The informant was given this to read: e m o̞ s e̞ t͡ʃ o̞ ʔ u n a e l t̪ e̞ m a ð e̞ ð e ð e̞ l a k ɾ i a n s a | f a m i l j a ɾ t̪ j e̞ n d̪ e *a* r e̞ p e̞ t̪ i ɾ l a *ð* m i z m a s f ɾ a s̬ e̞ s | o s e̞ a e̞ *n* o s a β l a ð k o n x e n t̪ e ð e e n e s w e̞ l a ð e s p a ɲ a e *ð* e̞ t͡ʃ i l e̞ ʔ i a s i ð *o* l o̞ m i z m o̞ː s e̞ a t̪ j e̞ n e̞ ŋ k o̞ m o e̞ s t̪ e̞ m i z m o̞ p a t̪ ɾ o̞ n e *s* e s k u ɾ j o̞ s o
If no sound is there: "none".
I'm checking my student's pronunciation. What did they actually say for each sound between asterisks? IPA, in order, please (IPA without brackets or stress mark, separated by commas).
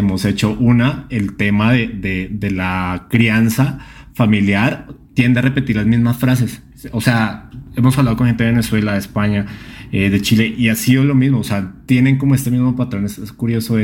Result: a, z, m, ð, o, s